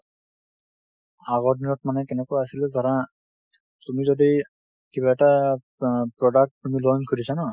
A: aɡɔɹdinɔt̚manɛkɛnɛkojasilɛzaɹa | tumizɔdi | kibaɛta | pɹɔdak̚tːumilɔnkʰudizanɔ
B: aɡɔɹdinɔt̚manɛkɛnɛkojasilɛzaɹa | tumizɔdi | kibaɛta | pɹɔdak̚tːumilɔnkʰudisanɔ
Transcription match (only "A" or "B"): B